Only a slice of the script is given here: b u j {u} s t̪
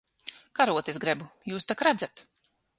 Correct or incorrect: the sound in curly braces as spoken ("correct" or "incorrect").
incorrect